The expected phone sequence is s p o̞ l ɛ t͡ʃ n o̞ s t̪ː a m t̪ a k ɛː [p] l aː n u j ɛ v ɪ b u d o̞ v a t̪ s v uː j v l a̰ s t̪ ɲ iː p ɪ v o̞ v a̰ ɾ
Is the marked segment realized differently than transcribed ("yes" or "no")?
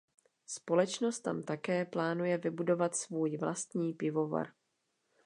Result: no